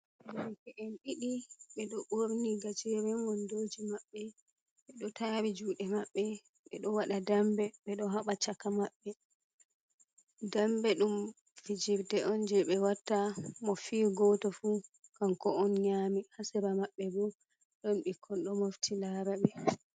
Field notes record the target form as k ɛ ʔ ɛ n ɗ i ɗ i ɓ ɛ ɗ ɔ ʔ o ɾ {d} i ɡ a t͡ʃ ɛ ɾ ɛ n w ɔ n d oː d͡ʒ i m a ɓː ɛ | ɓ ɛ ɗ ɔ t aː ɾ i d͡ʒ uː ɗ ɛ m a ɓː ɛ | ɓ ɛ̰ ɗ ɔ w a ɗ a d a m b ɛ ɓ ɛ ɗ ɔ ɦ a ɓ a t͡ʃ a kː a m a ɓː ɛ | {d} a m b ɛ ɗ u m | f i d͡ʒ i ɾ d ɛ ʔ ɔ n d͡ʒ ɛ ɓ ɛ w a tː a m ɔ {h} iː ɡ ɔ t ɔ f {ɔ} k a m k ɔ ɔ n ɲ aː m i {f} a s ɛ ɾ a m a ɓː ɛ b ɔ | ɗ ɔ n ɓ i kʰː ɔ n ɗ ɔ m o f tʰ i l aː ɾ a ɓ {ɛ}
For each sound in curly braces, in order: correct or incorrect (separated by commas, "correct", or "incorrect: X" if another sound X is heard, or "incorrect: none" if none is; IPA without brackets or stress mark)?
incorrect: n, correct, incorrect: f, incorrect: u, incorrect: h, correct